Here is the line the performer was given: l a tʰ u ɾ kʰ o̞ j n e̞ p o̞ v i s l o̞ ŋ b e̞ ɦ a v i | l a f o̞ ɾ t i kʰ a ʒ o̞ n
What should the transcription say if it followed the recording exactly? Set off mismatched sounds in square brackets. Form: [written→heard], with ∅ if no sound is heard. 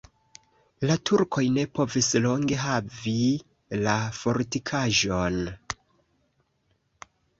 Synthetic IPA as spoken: l a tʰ u ɾ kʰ o̞ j n e̞ p o̞ v i s l o̞ ŋ [b→ɡ] e̞ ɦ a v i | l a f o̞ ɾ t i kʰ a ʒ o̞ n